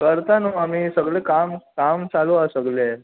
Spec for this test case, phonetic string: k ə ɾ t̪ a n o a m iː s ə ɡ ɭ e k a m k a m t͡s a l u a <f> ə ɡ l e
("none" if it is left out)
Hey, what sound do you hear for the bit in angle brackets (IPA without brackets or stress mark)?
s